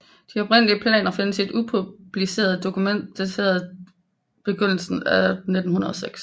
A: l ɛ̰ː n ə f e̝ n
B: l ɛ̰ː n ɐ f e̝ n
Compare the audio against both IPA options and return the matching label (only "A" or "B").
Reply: B